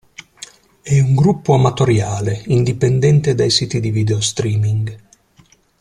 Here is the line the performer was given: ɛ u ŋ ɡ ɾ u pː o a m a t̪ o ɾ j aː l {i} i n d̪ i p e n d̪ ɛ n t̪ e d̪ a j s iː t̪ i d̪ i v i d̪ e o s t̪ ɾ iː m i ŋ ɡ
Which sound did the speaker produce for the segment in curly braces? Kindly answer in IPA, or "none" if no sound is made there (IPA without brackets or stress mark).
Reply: e